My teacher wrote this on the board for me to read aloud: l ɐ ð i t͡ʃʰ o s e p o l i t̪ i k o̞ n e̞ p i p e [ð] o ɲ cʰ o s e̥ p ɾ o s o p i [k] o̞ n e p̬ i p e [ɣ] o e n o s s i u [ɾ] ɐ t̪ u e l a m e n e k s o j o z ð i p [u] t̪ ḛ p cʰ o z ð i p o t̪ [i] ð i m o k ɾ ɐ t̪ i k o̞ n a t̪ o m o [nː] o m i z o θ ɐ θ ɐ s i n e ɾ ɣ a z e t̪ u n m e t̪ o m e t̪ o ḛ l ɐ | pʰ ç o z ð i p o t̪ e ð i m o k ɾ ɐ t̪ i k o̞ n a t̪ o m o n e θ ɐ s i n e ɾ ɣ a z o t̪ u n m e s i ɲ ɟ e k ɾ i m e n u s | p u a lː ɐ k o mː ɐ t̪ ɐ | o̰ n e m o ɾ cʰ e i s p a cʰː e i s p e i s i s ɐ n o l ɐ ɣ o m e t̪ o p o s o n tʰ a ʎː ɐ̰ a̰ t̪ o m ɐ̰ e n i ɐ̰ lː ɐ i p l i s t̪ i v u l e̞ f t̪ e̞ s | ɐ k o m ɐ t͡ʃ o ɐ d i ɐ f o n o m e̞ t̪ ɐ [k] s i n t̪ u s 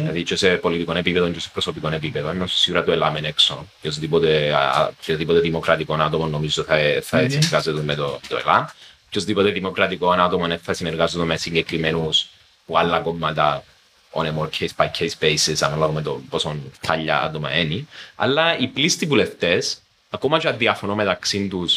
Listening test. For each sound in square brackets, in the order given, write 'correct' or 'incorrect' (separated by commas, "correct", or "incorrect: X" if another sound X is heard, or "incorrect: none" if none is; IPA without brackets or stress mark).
correct, correct, incorrect: ð, correct, incorrect: o, incorrect: e, correct, correct